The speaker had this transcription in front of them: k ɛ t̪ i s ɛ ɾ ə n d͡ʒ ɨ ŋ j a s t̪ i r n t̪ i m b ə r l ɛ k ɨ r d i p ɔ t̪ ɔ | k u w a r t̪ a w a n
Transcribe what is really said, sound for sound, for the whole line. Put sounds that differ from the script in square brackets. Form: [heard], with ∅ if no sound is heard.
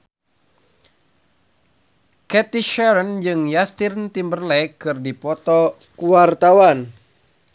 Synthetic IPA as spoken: k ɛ t̪ i [ʃ] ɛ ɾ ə n d͡ʒ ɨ ŋ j a s t̪ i r n t̪ i m b ə r l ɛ k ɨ r d i p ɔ t̪ ɔ | k u w a r t̪ a w a n